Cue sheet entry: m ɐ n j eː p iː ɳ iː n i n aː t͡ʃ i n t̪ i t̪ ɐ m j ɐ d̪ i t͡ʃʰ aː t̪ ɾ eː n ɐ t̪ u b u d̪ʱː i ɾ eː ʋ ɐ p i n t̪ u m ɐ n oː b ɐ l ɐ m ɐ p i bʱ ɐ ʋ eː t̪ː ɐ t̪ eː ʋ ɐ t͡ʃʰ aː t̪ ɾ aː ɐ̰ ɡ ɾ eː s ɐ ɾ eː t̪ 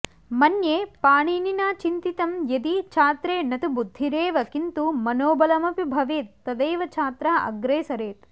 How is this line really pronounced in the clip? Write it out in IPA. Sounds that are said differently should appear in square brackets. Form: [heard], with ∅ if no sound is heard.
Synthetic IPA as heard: m ɐ n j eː p [aː] ɳ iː n i n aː t͡ʃ i n t̪ i t̪ ɐ m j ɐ d̪ i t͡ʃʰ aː t̪ ɾ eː n ɐ t̪ u b u d̪ʱː i ɾ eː ʋ ɐ [k] i n t̪ u m ɐ n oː b ɐ l ɐ m ɐ p i bʱ ɐ ʋ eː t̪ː ɐ [d̪] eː ʋ ɐ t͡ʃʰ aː t̪ ɾ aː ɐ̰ ɡ ɾ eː s ɐ ɾ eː t̪